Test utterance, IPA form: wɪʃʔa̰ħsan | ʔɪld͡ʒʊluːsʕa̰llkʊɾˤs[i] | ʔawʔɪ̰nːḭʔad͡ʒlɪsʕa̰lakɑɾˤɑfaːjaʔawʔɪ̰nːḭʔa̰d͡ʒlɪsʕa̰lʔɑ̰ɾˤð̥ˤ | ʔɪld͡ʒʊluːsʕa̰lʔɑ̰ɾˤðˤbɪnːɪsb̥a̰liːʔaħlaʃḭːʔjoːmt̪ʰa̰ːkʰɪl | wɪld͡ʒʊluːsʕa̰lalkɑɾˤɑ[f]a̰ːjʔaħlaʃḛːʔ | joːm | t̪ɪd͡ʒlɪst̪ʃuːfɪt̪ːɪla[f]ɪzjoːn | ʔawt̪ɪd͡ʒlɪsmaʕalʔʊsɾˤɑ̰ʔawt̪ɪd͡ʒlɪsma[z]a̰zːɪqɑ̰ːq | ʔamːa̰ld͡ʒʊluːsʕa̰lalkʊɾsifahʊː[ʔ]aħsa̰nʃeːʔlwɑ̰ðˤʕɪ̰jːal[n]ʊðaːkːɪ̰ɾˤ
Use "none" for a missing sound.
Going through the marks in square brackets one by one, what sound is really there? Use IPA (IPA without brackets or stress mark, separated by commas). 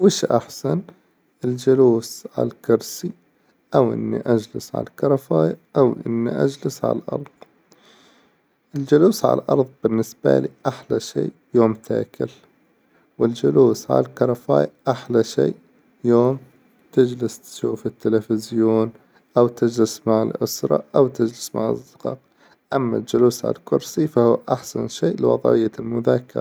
i, f, f, ʕ, ʔ, m